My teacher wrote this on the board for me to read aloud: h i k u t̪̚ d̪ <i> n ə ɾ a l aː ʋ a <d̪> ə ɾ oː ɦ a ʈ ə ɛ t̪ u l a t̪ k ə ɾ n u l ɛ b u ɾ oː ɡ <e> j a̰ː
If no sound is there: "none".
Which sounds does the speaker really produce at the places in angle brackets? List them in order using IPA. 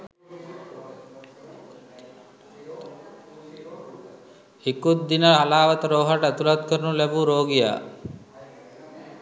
i, t̪, i

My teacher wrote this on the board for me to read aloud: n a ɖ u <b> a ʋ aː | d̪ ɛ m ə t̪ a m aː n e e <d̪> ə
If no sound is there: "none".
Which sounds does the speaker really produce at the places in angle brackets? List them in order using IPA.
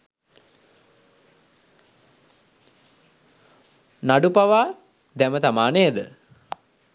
p, d̪

